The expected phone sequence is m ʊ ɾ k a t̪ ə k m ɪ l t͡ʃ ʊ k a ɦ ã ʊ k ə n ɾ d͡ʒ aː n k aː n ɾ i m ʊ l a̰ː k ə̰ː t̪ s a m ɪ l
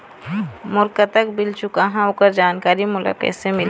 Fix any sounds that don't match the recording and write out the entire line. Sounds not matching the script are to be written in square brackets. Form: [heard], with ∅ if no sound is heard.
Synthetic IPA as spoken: m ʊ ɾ k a t̪ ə k [b] ɪ l t͡ʃ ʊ k a ɦ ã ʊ k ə [∅] ɾ d͡ʒ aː n k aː [∅] ɾ i m ʊ l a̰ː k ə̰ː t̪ s [e] m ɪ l